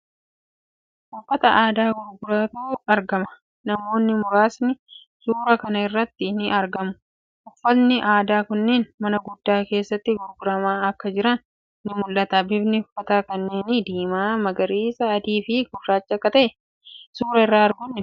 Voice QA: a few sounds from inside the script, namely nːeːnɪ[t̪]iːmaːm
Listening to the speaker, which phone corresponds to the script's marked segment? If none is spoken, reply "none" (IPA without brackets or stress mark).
d̪